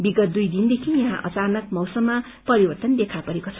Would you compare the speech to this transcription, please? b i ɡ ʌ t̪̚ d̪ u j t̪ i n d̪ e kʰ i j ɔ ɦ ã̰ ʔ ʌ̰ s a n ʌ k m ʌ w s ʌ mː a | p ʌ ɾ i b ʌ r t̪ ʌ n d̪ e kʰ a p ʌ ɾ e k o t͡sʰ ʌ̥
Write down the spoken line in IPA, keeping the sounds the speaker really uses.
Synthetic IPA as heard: b i ɡ ʌ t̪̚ d̪ u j d̪ i n d̪ e kʰ i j ʌ ɦ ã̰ ʔ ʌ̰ t͡s a n ʌ k m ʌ w s ʌ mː a | p ʌ ɾ i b ʌ r t̪ ʌ n d̪ e kʰ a p ʌ ɾ e k o t͡sʰ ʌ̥